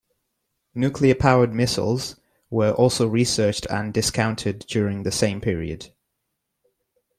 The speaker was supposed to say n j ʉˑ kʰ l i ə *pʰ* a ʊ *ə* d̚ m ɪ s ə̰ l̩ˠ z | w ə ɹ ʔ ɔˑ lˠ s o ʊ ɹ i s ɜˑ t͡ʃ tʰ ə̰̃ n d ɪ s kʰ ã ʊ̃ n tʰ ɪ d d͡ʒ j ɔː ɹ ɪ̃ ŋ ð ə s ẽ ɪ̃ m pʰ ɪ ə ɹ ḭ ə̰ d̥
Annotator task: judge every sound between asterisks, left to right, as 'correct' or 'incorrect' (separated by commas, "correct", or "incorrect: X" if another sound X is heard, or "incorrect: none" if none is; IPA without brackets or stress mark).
correct, correct